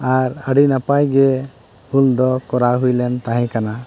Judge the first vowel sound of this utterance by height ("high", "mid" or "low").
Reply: low